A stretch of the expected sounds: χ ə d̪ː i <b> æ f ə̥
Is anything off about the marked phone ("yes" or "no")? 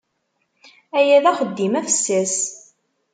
yes